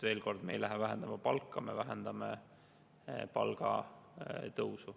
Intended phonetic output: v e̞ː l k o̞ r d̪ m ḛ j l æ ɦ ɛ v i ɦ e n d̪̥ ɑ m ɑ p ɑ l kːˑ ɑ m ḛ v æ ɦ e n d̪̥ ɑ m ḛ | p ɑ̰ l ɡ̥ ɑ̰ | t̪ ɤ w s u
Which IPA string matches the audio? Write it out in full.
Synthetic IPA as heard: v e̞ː l k o̞ r d̪ m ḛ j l æ ɦ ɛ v æ ɦ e n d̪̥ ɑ m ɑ p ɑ l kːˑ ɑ m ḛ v æ ɦ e n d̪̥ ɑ m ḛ | p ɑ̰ l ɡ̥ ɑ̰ | t̪ ɤ w s u